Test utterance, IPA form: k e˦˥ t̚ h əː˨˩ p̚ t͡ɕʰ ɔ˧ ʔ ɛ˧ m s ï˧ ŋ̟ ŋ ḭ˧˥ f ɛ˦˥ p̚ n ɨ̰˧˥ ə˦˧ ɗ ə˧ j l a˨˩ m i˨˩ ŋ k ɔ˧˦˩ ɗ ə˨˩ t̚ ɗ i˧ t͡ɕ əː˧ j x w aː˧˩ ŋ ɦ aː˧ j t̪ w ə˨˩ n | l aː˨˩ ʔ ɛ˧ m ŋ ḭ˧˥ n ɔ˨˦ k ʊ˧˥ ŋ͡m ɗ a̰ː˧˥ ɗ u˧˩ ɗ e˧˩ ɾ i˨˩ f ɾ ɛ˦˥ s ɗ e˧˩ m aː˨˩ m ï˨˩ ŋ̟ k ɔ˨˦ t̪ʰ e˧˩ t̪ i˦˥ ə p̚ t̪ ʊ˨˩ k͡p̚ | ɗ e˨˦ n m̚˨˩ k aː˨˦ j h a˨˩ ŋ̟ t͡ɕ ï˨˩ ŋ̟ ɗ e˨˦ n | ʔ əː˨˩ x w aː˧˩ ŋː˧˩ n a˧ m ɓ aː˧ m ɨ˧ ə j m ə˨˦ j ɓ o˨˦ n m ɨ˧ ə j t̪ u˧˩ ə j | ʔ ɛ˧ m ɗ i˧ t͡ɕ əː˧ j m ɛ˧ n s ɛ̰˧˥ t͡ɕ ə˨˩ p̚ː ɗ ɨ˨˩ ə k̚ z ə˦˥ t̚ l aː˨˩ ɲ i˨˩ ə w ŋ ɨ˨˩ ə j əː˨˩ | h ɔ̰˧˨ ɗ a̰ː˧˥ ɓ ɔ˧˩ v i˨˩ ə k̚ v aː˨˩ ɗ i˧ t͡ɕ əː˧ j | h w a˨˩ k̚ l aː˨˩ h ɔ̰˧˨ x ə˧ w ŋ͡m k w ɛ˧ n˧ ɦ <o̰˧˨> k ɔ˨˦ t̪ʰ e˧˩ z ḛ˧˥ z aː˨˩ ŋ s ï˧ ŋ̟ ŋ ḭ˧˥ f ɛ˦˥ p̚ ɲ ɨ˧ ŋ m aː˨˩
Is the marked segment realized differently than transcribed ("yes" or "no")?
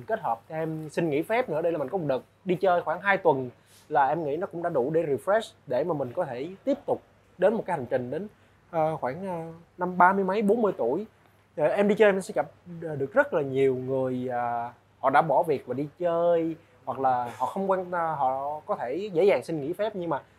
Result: yes